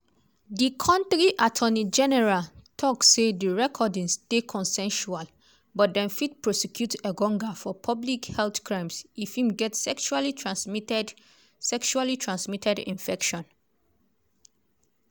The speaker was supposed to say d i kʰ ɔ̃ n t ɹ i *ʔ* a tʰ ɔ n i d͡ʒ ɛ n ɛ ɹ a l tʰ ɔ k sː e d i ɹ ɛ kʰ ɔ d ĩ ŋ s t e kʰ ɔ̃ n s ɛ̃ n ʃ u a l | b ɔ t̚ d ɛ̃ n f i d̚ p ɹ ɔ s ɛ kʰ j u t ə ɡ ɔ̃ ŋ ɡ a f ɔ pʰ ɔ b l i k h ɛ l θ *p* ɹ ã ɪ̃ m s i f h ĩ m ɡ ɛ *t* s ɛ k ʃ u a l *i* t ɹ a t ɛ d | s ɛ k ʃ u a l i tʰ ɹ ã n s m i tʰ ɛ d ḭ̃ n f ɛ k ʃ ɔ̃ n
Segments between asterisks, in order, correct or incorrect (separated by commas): correct, incorrect, correct, correct